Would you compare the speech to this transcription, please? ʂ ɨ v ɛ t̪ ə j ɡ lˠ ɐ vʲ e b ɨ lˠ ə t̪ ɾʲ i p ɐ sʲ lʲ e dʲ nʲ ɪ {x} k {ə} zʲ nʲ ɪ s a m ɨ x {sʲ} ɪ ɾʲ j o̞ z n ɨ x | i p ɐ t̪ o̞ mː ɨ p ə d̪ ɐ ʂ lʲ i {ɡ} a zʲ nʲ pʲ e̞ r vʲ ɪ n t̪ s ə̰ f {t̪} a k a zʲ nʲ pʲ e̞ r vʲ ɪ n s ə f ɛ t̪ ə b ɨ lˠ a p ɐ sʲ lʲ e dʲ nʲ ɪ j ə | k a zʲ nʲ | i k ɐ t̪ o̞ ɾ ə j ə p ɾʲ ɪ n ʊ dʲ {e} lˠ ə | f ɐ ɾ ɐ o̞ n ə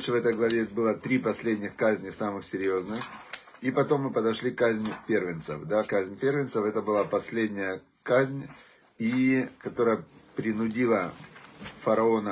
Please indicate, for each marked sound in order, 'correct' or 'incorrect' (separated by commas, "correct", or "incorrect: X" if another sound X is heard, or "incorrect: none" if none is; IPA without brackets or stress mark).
correct, incorrect: a, correct, incorrect: k, incorrect: d̪, incorrect: i